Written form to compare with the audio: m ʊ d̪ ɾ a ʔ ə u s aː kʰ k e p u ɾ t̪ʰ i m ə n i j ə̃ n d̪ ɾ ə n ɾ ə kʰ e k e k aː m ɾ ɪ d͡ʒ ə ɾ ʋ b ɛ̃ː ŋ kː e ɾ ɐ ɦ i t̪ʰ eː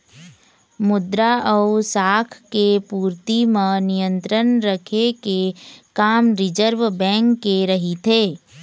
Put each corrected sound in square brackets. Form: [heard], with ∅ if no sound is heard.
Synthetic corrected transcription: m ʊ d̪ ɾ a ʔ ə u s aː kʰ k e p [uː] ɾ [t̪] i m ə n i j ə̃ n [t̪] ɾ ə n ɾ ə kʰ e k e k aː m ɾ ɪ d͡ʒ ə ɾ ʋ b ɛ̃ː ŋ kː e ɾ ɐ ɦ i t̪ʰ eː